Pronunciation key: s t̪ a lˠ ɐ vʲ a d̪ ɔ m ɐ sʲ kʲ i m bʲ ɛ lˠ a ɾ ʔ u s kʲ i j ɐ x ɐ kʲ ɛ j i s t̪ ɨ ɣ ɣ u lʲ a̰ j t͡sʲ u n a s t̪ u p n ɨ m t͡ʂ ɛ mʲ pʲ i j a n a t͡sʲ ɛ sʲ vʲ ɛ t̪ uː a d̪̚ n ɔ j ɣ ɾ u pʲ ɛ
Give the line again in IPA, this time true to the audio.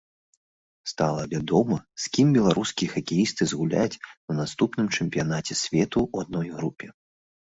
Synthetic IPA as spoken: s t̪ a lˠ ɐ vʲ a d̪ ɔ m ɐ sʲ kʲ i m bʲ ɛ lˠ a ɾ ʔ u s kʲ i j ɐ x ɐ kʲ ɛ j i s t̪ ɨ z ɣ u lʲ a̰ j t͡sʲ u n a s t̪ u p n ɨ m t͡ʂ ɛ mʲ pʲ i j a n a t͡sʲ ɛ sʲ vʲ ɛ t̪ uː a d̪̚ n ɔ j ɣ ɾ u pʲ ɛ

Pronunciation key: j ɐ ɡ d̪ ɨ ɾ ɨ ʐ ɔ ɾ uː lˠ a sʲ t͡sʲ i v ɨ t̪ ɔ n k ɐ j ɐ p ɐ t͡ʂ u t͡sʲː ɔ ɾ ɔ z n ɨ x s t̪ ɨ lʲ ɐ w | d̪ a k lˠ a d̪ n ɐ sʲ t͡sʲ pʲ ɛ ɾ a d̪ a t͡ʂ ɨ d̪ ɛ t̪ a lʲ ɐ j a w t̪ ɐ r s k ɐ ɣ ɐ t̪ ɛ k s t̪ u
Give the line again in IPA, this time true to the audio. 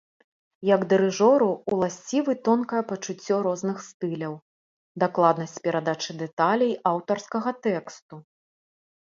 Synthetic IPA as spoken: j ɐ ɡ d̪ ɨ ɾ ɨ ʐ ɔ ɾ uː lˠ a sʲ t͡sʲ i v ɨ t̪ ɔ n k ɐ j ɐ p ɐ t͡ʂ u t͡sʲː ɔ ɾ ɔ z n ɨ x s t̪ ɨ lʲ ɐ w | d̪ a k lˠ a d̪ n ɐ sʲ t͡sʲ pʲ ɛ ɾ a d̪ a t͡ʂ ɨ d̪ ɛ t̪ a lʲ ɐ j a w t̪ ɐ r s k ɐ ɣ ɐ t̪ ɛ k s t̪ u

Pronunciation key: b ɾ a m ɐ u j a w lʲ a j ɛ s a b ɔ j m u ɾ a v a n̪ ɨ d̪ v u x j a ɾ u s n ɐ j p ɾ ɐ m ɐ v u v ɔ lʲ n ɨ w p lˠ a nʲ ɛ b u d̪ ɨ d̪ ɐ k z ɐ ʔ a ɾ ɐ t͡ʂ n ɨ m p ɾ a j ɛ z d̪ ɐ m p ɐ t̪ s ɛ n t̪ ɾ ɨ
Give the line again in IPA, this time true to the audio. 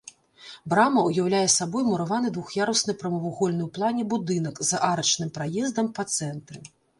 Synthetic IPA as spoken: b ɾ a m ɐ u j a w lʲ a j ɛ s a b ɔ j m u ɾ a v a n̪ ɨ d̪ v u x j a ɾ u s n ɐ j p ɾ ɐ m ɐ v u ɣ ɔ lʲ n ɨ w p lˠ a nʲ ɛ b u d̪ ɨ n̪ ɐ k z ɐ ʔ a ɾ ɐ t͡ʂ n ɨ m p ɾ a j ɛ z d̪ ɐ m p ɐ t̪ s ɛ n t̪ ɾ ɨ

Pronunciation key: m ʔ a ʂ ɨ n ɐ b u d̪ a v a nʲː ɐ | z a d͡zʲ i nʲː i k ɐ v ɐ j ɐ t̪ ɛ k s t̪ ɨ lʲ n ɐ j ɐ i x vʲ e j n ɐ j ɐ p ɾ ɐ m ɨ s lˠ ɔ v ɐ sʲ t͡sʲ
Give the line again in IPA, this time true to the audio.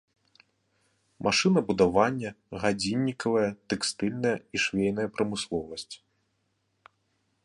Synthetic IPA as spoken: m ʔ a ʂ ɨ n ɐ b u d̪ a v a nʲː ɐ | ɣ a d͡zʲ i nʲː i k ɐ v ɐ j ɐ t̪ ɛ k s t̪ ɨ lʲ n ɐ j ɐ i ʂ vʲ e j n ɐ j ɐ p ɾ ɐ m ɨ s lˠ ɔ v ɐ sʲ t͡sʲ

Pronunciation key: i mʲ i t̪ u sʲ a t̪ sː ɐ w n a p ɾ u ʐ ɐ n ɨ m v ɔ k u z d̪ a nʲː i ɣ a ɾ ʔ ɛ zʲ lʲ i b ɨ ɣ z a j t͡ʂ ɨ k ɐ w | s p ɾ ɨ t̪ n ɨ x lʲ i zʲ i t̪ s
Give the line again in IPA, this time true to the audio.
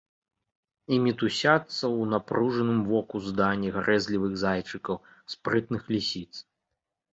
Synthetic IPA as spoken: i mʲ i t̪ u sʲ a t̪ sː ɐ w n a p ɾ u ʐ ɐ n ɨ m v ɔ k u z d̪ a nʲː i ɣ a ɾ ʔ ɛ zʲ lʲ i v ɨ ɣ z a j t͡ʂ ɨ k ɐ w | s p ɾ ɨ t̪ n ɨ x lʲ i sʲ i t̪ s

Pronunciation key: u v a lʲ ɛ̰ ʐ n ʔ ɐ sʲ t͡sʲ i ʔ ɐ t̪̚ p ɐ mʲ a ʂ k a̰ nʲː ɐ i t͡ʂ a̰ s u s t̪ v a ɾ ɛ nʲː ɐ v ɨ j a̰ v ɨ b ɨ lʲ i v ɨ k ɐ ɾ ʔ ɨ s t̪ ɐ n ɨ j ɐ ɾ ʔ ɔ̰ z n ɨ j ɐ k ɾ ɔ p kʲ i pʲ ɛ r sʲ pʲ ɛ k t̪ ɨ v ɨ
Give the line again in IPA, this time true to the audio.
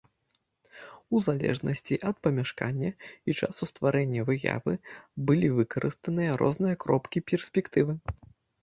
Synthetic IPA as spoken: u z a lʲ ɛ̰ ʐ n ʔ ɐ sʲ t͡sʲ i ʔ ɐ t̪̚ p ɐ mʲ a ʂ k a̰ nʲː ɐ i t͡ʂ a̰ s u s t̪ v a ɾ ɛ nʲː ɐ v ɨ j a̰ v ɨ b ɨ lʲ i v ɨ k ɐ ɾ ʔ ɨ s t̪ ɐ n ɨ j ɐ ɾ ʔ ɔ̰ z n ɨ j ɐ k ɾ ɔ p kʲ i pʲ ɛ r sʲ pʲ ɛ k t̪ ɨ v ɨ

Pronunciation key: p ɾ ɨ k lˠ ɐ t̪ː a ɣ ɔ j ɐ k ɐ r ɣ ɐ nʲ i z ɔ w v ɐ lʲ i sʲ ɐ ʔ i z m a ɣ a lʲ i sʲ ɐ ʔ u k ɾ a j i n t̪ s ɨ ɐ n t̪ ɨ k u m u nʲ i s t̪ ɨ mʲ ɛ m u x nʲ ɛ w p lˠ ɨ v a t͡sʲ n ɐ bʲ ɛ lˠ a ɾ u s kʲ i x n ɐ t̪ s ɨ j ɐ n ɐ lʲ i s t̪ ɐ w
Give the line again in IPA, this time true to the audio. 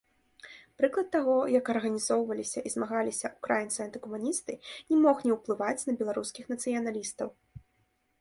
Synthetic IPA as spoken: p ɾ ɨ k lˠ ɐ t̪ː a ɣ ɔ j ɐ k ɐ r ɣ ɐ nʲ i z ɔ w v ɐ lʲ i sʲ ɐ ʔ i z m a ɣ a lʲ i sʲ ɐ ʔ u k ɾ a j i n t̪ s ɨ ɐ n t̪ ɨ k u m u nʲ i s t̪ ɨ nʲ ɛ m ɔ x nʲ ɛ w p lˠ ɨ v a t͡sʲ n ɐ bʲ ɛ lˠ a ɾ u s kʲ i x n ɐ t̪ s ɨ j ɐ n a lʲ i s t̪ ɐ w

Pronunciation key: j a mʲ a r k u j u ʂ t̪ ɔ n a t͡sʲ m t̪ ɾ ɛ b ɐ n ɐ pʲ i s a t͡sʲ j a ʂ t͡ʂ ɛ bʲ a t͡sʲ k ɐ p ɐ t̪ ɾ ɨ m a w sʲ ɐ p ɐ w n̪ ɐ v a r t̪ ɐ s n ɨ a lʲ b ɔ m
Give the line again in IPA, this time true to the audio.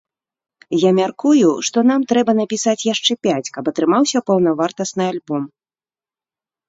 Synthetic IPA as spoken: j a mʲ a r k u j u ʂ t̪ ɔ n a m t̪ ɾ ɛ b ɐ n ɐ pʲ i s a t͡sʲ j a ʂ t͡ʂ ɛ pʲ a t͡sʲ k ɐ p ɐ t̪ ɾ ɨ m a w sʲ ɐ p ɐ w n̪ ɐ v a r t̪ ɐ s n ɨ a lʲ b ɔ m

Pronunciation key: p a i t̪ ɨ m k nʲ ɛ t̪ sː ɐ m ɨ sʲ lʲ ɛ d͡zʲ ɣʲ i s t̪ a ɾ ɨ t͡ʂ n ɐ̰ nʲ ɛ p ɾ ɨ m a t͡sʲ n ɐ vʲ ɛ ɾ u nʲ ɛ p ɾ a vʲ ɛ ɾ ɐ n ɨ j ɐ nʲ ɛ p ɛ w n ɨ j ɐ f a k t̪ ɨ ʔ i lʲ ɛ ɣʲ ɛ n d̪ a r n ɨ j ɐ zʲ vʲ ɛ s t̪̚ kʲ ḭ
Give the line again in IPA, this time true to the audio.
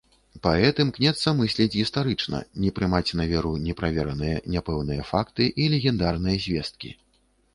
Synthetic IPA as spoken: p a ɛ t̪ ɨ m k nʲ ɛ t̪ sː ɐ m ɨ sʲ lʲ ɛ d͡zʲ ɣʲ i s t̪ a ɾ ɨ t͡ʂ n ɐ̰ nʲ ɛ p ɾ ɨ m a t͡sʲ n ɐ vʲ ɛ ɾ u nʲ ɛ p ɾ a vʲ ɛ ɾ ɐ n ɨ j ɐ nʲ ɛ p ɛ w n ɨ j ɐ f a k t̪ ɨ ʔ i lʲ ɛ ɣʲ ɛ n d̪ a r n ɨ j ɐ zʲ vʲ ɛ s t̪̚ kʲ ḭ

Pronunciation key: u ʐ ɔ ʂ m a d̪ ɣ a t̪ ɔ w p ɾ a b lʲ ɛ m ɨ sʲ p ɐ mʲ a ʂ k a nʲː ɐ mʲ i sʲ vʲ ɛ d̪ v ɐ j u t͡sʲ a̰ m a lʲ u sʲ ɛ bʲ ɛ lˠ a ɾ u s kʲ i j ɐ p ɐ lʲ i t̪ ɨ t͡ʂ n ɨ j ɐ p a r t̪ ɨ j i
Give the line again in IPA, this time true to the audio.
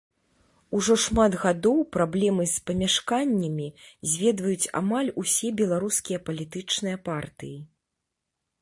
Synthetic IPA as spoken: u ʐ ɔ ʂ m a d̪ ɣ a d̪ ɔ w p ɾ a b lʲ ɛ m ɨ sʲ p ɐ mʲ a ʂ k a nʲː ɐ mʲ i zʲ vʲ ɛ d̪ v ɐ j u t͡sʲ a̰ m a lʲ u sʲ ɛ bʲ ɛ lˠ a ɾ u s kʲ i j ɐ p ɐ lʲ i t̪ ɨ t͡ʂ n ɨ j ɐ p a r t̪ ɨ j i

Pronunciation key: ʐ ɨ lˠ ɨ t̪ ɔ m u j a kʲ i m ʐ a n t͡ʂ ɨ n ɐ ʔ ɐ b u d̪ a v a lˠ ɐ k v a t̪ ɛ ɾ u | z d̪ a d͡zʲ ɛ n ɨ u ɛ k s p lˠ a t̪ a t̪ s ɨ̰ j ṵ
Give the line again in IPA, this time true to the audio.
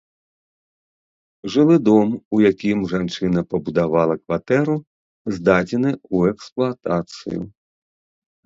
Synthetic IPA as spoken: ʐ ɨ lˠ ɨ d̪ ɔ m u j a kʲ i m ʐ a n t͡ʂ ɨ n ɐ p ɐ b u d̪ a v a lˠ ɐ k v a t̪ ɛ ɾ u | z d̪ a d͡zʲ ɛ n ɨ u ɛ k s p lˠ a t̪ a t̪ s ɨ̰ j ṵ

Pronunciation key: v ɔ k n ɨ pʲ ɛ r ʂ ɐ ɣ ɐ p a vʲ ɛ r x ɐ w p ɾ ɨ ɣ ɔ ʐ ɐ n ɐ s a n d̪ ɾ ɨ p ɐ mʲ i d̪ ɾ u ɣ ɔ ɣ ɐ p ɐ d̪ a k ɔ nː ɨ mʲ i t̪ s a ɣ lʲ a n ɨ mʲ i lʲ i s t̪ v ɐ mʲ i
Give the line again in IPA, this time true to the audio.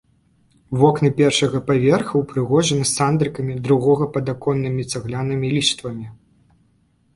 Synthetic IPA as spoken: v ɔ k n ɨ pʲ ɛ r ʂ ɐ ɣ ɐ p a vʲ ɛ r x ɐ w p ɾ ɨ ɣ ɔ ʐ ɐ n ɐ s a n d̪ ɾ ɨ k ɐ mʲ i d̪ ɾ u ɣ ɔ ɣ ɐ p ɐ d̪ a k ɔ nː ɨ mʲ i t̪ s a ɣ lʲ a n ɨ mʲ i lʲ i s t̪ v ɐ mʲ i

